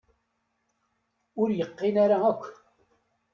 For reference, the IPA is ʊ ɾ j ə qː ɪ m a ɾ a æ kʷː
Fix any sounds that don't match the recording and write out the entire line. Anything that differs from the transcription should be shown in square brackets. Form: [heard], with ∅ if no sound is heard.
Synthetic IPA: ʊ ɾ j ə qː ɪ [n] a ɾ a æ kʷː